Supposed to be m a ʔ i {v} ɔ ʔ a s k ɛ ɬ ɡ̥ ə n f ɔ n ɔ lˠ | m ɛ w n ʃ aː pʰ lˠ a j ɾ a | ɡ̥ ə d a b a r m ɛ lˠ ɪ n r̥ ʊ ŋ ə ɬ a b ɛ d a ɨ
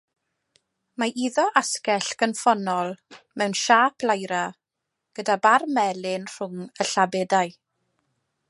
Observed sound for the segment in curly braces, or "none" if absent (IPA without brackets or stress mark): ð